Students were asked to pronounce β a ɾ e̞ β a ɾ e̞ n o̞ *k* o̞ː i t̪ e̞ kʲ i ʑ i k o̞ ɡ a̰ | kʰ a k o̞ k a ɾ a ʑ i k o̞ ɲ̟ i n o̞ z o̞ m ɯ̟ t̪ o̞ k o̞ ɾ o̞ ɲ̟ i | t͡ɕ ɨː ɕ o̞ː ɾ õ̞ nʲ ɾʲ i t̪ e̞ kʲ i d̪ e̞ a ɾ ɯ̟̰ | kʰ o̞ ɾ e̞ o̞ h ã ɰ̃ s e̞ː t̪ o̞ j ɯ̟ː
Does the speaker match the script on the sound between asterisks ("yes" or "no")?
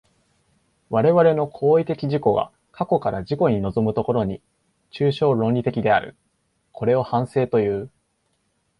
no